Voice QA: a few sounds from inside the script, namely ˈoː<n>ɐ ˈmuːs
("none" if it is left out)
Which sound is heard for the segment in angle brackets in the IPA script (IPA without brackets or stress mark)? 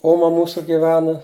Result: m